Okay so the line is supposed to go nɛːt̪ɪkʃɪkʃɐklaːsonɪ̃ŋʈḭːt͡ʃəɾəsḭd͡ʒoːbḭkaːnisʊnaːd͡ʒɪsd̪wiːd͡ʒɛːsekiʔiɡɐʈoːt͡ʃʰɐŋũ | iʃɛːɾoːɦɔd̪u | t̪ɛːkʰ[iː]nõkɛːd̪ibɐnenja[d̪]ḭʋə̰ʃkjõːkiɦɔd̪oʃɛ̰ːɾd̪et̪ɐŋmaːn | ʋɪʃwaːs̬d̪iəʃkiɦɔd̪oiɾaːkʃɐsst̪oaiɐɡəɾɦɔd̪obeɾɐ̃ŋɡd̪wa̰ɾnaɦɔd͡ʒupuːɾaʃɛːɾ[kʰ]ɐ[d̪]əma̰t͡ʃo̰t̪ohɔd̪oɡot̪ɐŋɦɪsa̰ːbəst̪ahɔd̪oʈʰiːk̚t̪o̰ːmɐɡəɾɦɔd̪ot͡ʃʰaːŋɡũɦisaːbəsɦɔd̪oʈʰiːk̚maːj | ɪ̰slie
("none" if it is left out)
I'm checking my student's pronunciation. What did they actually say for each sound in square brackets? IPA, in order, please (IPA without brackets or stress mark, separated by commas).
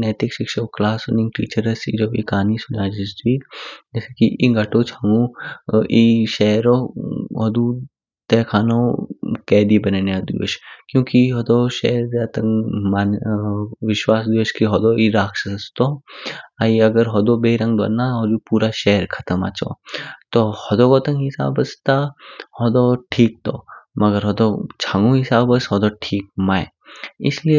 aː, d̪, kʰ, t̪